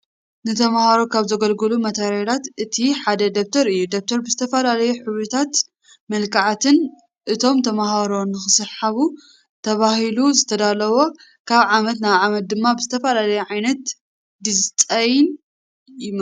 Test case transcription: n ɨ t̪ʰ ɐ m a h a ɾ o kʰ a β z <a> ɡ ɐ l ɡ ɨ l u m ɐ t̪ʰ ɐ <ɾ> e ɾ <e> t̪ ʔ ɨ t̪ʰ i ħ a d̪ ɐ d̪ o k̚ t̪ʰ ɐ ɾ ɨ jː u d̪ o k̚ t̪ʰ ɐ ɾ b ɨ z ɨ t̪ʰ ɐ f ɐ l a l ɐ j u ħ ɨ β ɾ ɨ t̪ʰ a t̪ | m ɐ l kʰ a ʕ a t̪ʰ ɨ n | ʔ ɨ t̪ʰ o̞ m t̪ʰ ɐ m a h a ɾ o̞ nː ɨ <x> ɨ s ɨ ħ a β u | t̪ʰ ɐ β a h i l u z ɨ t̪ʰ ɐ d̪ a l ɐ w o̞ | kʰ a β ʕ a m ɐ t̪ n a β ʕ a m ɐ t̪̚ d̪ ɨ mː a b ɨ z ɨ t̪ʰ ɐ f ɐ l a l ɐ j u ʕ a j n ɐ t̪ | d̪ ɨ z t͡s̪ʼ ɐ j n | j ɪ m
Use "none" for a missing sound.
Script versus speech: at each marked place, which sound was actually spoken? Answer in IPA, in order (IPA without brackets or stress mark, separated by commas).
ɐ, ɾ, a, x